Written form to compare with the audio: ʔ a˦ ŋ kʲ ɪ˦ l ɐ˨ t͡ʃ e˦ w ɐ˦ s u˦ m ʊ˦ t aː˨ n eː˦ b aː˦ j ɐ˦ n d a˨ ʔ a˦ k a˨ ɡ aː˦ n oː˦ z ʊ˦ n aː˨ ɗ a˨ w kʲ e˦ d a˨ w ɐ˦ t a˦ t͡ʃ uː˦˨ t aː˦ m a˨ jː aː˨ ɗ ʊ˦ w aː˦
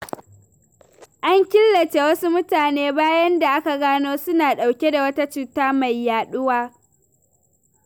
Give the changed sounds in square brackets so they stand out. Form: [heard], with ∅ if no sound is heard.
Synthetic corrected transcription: ʔ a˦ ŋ kʲ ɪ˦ [lː] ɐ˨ t͡ʃ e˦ w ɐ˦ s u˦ m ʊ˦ t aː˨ n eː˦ b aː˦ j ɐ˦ n d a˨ ʔ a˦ k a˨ ɡ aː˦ n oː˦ [s] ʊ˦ n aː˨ ɗ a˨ w kʲ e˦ d a˨ w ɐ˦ t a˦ t͡ʃ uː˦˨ t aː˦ m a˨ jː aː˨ ɗ ʊ˦ w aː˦

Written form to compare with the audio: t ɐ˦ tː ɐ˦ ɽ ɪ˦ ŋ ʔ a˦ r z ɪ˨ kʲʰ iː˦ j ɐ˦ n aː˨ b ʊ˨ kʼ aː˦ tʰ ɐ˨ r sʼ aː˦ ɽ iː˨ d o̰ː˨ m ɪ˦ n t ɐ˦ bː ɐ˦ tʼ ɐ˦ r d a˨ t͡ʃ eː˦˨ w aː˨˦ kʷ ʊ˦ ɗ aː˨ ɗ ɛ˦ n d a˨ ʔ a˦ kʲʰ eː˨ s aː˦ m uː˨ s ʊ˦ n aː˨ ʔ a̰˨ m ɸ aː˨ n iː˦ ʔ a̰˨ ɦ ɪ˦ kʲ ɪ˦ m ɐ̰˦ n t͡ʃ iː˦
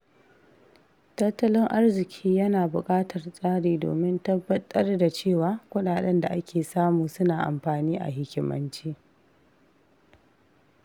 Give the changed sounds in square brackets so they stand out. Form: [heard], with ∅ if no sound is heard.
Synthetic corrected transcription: t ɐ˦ tː ɐ˦ [l] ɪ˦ ŋ ʔ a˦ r z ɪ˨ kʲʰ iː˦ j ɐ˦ n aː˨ b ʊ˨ kʼ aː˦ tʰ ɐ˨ r sʼ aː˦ ɽ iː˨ d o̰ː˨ m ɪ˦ n t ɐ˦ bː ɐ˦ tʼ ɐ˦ r d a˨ t͡ʃ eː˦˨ w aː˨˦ kʷ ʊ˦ ɗ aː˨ ɗ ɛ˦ n d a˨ ʔ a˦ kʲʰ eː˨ s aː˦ m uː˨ s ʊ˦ n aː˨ ʔ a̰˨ m ɸ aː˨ n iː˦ ʔ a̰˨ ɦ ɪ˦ kʲ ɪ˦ m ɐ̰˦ n t͡ʃ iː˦

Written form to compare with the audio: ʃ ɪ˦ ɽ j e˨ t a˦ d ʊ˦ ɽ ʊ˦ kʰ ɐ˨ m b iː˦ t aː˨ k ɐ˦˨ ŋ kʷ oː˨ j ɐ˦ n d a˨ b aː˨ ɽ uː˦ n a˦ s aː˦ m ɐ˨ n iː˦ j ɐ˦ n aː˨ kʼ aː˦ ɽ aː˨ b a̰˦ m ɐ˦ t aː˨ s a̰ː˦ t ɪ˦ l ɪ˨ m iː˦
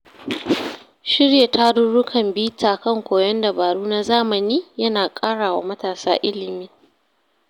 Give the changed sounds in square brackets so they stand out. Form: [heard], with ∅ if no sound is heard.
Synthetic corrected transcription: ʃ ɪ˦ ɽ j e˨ t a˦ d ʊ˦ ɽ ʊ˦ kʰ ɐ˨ m b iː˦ t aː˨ k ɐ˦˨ ŋ kʷ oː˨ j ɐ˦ n d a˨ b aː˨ ɽ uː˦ n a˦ [z] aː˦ m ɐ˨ n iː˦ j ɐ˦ n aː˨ kʼ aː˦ ɽ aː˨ [w] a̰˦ m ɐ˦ t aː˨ s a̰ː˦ [ʔ] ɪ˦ l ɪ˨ m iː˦

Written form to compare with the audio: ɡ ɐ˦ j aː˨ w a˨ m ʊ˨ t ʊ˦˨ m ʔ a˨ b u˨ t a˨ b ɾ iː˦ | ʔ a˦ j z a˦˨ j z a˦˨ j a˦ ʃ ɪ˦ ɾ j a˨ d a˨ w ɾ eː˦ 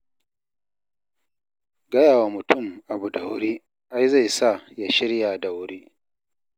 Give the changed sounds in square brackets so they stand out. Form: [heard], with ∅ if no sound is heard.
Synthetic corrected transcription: ɡ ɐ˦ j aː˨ w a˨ m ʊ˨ t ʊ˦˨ m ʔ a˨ b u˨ [d] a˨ [w] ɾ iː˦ | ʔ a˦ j z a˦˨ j [s] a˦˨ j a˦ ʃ ɪ˦ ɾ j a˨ d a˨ w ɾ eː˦

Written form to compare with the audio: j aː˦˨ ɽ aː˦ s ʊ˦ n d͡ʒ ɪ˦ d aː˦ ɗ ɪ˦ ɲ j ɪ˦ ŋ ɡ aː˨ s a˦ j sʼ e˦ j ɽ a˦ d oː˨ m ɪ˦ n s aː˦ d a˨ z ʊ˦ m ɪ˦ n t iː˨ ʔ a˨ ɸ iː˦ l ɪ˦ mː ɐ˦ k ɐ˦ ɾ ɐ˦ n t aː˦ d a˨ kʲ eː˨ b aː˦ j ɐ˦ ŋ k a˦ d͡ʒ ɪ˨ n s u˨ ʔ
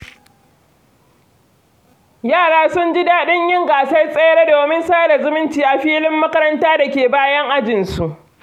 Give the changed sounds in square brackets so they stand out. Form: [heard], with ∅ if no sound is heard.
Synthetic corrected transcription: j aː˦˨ ɽ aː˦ s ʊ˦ n d͡ʒ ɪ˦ d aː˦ ɗ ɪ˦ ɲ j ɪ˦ ŋ ɡ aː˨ s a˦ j sʼ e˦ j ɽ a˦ d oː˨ m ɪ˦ n s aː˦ d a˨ z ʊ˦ m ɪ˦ n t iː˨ ʔ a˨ ɸ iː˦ l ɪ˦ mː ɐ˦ k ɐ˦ ɾ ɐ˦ n t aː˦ d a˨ kʲ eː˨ b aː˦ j ɐ˦ ŋ [ʔ] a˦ d͡ʒ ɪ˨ n s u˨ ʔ

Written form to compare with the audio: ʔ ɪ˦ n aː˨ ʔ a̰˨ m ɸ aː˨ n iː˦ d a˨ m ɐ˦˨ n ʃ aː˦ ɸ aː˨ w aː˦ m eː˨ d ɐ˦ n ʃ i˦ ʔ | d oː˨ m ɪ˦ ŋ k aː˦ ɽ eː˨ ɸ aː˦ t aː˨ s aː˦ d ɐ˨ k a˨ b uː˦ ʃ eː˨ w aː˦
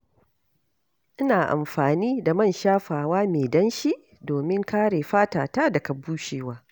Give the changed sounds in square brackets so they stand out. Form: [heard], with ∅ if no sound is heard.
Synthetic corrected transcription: ʔ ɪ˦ n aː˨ ʔ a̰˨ m ɸ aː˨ n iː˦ d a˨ m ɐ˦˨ n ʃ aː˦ ɸ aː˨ w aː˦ m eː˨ d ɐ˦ n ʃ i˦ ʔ | d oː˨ m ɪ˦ ŋ k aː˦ ɽ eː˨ ɸ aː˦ t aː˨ [t] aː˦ d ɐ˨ k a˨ b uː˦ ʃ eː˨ w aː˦

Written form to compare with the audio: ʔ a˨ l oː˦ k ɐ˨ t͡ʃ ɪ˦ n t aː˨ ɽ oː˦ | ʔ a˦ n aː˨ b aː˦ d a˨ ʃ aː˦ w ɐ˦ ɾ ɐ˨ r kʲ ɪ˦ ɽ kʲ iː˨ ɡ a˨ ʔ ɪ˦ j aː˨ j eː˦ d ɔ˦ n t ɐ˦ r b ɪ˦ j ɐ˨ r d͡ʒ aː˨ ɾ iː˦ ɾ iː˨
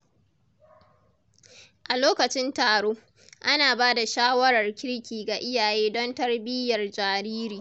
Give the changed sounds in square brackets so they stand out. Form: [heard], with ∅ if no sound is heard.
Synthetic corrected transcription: ʔ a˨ l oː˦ k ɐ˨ t͡ʃ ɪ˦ n t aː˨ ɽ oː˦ | ʔ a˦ n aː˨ b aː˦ d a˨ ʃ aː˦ w ɐ˦ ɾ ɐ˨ r kʲ ɪ˦ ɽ kʲ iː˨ ɡ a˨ ʔ ɪ˦ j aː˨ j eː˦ d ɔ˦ n t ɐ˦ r b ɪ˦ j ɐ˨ r d͡ʒ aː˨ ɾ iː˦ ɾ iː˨

